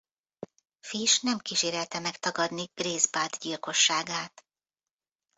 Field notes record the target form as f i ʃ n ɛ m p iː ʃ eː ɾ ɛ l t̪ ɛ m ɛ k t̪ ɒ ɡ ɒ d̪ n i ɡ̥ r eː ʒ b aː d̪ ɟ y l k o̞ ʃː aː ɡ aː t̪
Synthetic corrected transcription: f i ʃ n ɛ m k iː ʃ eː ɾ ɛ l t̪ ɛ m ɛ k t̪ ɒ ɡ ɒ d̪ n i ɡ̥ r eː z b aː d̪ ɟ i l k o̞ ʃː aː ɡ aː t̪